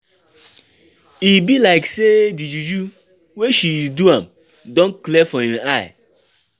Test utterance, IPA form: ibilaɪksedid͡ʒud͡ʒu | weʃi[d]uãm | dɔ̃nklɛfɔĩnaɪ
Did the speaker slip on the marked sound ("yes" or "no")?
no